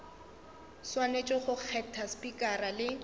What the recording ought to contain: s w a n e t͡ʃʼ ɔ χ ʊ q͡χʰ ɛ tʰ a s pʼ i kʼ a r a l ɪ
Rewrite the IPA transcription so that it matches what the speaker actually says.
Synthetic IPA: s w a n e t͡ʃʼ ɔ χ ʊ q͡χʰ ɛ tʰ a s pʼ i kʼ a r a l ɪ